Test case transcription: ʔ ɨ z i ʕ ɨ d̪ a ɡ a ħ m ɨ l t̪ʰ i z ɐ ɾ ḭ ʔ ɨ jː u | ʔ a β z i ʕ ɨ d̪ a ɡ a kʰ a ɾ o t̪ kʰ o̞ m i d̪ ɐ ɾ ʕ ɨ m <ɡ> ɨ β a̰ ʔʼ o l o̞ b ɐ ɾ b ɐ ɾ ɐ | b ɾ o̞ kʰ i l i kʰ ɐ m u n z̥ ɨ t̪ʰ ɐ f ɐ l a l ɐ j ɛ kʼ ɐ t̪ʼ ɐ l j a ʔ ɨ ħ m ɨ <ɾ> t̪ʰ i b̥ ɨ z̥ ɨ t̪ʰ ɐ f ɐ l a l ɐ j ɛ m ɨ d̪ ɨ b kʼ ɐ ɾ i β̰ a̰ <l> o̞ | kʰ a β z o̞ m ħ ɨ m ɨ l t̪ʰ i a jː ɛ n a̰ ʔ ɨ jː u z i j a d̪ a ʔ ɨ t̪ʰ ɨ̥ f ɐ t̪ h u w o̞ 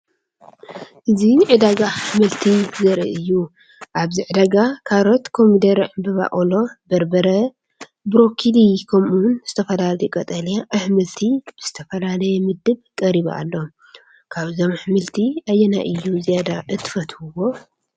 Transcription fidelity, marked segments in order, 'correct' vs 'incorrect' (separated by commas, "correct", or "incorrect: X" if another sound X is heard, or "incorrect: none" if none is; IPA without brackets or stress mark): incorrect: b, incorrect: l, incorrect: lː